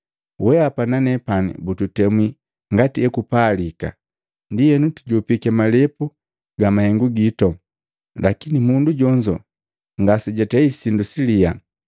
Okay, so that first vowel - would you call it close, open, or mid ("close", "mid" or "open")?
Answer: mid